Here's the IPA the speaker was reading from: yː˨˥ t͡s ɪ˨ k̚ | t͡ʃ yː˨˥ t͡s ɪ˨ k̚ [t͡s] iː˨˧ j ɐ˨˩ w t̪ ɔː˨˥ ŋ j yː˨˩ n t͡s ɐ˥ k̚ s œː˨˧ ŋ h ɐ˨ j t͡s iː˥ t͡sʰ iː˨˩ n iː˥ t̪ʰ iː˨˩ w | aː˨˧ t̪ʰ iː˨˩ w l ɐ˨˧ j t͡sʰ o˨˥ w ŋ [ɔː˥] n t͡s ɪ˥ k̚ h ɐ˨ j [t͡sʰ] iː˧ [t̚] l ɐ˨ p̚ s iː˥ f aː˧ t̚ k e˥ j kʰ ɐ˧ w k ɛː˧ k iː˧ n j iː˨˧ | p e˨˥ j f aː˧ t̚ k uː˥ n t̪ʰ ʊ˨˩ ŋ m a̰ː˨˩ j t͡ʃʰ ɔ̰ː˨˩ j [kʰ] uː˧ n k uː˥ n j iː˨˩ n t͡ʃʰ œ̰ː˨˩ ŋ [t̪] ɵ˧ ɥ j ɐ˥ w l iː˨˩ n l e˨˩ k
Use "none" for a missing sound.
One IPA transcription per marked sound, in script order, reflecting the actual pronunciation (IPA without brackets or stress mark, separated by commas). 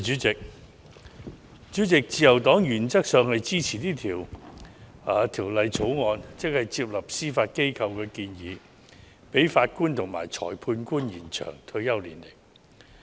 t͡s, ɔː˨˧, t͡s, p̚, pʰ, t̪ʰ